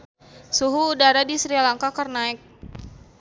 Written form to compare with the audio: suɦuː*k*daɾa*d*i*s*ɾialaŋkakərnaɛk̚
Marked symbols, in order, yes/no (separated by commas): no, yes, yes